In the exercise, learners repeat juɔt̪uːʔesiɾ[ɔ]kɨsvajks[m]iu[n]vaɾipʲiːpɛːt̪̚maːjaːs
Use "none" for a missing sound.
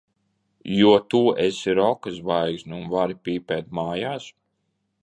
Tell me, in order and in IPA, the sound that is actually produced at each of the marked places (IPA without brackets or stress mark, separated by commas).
ɔ, n, n